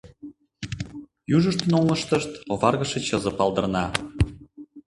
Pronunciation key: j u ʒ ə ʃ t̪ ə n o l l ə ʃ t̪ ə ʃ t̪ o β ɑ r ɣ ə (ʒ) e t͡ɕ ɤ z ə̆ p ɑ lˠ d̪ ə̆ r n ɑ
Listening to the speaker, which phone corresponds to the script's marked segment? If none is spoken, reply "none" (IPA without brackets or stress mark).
ʃ